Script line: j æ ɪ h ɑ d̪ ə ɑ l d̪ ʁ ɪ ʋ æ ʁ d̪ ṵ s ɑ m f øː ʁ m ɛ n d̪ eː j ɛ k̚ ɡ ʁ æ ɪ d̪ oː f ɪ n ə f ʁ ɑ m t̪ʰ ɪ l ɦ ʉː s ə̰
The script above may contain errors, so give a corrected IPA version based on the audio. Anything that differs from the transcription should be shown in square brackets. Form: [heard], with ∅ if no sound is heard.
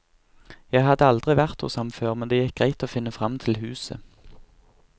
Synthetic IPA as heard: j æ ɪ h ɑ d̪ ə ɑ l d̪ ʁ ɪ ʋ æ ʁ [t̪] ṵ s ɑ m f øː ʁ m ɛ n d̪ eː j ɛ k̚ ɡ ʁ æ ɪ [t̪] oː f ɪ n ə f ʁ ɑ m t̪ʰ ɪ l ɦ ʉː s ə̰